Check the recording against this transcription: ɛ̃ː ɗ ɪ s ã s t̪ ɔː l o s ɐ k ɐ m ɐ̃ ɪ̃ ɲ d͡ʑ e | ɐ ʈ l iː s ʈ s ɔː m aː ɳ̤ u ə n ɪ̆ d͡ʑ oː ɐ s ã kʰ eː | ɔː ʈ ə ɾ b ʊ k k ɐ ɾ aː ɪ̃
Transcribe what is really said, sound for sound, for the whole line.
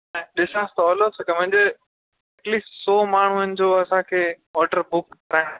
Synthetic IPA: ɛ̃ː ɗ ɪ s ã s t̪ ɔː l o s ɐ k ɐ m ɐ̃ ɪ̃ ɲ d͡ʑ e | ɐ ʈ l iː s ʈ s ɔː m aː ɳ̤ u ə n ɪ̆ d͡ʑ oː ɐ s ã kʰ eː | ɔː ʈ ə ɾ b ʊ k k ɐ ɾ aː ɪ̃